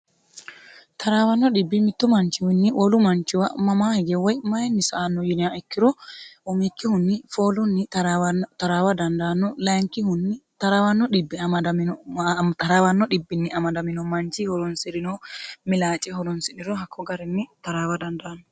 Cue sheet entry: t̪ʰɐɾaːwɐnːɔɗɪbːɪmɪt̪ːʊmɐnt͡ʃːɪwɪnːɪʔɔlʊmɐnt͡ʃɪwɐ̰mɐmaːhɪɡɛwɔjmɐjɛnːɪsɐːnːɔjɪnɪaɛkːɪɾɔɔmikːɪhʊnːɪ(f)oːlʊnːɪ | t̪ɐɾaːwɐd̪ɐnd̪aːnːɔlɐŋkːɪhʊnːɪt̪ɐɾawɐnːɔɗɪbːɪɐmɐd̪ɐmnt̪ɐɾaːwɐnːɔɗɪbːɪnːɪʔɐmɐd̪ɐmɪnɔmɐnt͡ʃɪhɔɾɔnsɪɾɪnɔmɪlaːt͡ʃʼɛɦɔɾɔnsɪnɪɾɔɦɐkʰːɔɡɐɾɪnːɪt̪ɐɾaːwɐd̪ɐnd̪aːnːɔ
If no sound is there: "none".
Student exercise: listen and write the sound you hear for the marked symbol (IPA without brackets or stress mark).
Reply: f